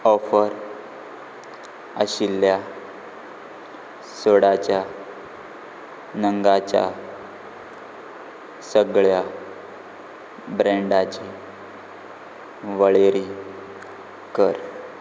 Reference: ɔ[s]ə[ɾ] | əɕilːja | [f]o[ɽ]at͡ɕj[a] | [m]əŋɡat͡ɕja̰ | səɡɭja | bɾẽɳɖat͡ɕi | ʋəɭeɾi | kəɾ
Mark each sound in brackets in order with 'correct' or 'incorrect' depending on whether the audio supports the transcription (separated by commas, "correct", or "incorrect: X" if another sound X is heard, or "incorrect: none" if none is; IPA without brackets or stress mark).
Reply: incorrect: f, correct, incorrect: s, correct, correct, incorrect: n